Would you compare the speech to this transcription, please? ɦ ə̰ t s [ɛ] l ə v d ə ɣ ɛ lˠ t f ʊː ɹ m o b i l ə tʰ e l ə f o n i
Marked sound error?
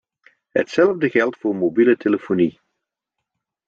no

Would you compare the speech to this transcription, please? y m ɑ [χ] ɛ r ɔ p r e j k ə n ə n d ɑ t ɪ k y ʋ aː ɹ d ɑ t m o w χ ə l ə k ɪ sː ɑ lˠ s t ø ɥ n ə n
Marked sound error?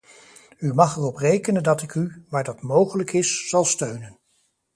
no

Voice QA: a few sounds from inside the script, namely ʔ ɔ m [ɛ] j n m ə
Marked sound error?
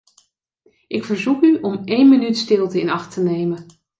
yes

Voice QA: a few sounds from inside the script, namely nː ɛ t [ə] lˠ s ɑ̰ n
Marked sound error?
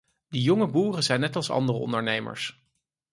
yes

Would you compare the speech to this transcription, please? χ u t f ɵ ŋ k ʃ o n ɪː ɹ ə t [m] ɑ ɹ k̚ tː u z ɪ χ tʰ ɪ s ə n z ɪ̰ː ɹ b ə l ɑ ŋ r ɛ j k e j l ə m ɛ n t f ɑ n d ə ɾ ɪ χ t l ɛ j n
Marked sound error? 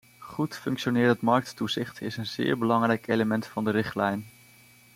no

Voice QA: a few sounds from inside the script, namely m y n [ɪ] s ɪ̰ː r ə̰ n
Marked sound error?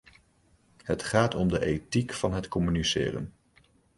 yes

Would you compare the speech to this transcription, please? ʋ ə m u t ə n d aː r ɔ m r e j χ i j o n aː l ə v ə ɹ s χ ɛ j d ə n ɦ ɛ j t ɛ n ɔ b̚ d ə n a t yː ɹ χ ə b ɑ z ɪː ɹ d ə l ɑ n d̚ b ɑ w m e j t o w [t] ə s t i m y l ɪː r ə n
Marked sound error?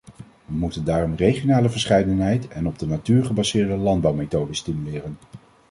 yes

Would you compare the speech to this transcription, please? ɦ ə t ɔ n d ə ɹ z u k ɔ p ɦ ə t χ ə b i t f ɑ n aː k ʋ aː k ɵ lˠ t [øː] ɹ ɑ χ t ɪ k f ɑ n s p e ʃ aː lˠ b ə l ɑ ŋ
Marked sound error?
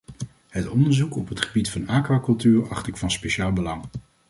yes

